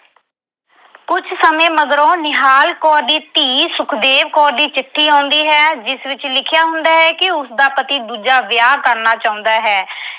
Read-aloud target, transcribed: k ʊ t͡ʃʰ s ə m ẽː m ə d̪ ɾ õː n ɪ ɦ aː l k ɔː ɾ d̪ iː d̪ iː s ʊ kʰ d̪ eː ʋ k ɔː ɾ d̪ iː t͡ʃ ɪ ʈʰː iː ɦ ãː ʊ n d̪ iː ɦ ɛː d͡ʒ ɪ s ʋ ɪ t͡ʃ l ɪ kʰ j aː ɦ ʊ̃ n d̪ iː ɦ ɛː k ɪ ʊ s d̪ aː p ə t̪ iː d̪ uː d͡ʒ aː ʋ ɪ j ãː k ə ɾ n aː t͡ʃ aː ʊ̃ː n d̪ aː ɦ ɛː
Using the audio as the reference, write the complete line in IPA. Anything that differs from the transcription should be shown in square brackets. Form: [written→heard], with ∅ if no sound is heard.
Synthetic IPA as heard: k ʊ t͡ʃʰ s ə m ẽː m ə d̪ ɾ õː n ɪ ɦ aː l k ɔː ɾ d̪ iː [d̪→t̪] iː s ʊ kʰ d̪ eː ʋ k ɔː ɾ d̪ iː t͡ʃ ɪ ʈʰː iː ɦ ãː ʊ n d̪ iː ɦ ɛː d͡ʒ ɪ s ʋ ɪ t͡ʃ l ɪ kʰ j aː ɦ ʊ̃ n d̪ [iː→aː] ɦ ɛː k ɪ ʊ s d̪ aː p ə t̪ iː d̪ uː d͡ʒ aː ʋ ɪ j [ãː→aː] k ə ɾ n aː t͡ʃ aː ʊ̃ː n d̪ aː ɦ ɛː